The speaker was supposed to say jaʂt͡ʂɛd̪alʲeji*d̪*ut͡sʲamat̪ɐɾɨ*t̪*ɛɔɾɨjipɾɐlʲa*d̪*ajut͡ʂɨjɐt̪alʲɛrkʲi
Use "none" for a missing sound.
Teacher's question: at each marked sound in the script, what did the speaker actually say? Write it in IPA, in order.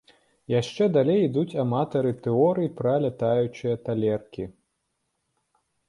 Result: d̪, t̪, t̪

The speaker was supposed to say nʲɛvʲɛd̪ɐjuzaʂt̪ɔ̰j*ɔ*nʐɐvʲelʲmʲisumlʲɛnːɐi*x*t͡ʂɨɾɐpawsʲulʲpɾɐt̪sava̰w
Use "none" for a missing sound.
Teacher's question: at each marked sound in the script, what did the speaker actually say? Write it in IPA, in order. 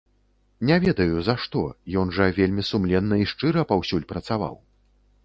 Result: ɔ, ʂ

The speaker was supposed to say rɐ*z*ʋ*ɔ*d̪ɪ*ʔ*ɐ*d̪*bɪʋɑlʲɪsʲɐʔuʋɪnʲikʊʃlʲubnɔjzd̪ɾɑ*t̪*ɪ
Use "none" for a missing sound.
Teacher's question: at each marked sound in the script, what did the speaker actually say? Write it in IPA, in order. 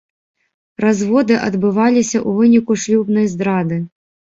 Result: z, ɔ, ʔ, d̪, d̪

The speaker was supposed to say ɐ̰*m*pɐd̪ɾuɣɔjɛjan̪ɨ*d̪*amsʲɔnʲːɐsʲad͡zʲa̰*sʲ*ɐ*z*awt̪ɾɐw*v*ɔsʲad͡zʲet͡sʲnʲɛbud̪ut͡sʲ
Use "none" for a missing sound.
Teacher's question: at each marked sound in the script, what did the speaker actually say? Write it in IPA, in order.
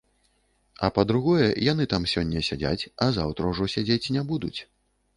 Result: none, t̪, t͡sʲ, z, ʐ

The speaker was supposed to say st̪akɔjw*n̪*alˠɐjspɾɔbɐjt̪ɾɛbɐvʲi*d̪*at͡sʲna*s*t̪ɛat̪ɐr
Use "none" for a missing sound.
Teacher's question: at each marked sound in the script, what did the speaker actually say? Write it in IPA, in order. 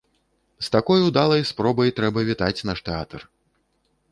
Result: d̪, t̪, ʂ

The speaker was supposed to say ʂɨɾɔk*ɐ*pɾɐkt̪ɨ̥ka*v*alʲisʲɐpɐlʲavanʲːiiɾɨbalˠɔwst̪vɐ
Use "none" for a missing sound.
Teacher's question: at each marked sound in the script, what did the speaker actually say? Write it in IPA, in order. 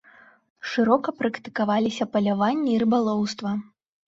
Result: ɐ, v

